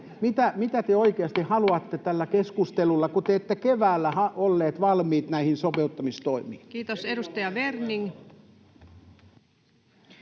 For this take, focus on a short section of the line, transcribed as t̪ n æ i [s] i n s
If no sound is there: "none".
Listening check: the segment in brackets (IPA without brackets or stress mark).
h